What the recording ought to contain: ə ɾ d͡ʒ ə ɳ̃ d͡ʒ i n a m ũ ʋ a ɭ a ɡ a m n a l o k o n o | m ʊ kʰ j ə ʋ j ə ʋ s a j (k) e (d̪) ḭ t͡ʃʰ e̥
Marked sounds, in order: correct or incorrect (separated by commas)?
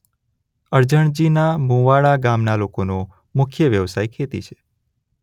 incorrect, incorrect